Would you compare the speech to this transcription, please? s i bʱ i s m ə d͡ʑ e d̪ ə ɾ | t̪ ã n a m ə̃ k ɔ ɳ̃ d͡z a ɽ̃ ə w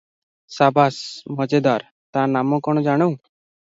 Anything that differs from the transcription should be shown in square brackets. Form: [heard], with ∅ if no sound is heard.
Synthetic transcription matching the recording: s [a] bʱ [a] s m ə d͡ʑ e d̪ [a] ɾ | t̪ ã n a m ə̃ k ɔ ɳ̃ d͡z a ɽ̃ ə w